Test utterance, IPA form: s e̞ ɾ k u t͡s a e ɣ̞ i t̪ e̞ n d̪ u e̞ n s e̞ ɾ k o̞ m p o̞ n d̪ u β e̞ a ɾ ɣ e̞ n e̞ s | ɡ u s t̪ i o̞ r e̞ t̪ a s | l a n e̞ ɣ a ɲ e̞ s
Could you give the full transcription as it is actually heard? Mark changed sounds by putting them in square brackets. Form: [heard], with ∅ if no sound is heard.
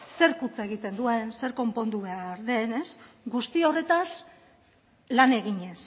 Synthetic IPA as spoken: s e̞ ɾ k u t͡s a e ɣ̞ i t̪ e̞ n d̪ u e̞ n s e̞ ɾ k o̞ m p o̞ n d̪ u β e̞ a ɾ [ð] e̞ n e̞ s | ɡ u s t̪ i o̞ r e̞ t̪ a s | l a n e̞ ɣ [i] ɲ e̞ s